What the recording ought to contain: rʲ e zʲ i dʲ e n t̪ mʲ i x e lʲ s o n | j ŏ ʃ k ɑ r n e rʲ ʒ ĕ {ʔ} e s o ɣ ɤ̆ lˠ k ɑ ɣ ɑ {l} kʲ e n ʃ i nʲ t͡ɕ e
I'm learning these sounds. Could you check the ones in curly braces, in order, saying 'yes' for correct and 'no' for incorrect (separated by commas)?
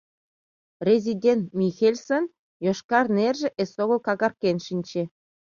yes, no